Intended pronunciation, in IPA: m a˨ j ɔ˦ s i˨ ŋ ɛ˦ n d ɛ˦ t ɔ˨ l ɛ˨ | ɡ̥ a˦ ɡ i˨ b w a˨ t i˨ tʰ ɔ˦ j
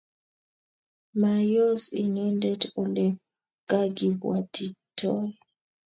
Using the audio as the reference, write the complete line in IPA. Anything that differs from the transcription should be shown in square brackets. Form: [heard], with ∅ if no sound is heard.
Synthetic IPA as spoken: m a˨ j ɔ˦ s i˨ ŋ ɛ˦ n d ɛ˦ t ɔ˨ l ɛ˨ | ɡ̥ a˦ ɡ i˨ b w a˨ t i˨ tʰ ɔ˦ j